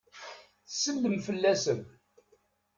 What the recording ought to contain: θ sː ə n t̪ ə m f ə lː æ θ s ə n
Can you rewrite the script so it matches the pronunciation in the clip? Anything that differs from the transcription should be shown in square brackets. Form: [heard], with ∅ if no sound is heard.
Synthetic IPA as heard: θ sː ə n [d̪] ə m f ə lː æ [∅] s ə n